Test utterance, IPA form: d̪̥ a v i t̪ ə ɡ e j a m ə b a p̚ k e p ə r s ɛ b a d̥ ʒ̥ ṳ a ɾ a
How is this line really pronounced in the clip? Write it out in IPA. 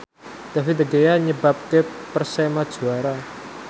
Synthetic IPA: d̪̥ a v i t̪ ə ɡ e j a ɲ ə b a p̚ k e p ə r s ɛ m a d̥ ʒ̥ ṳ a ɾ a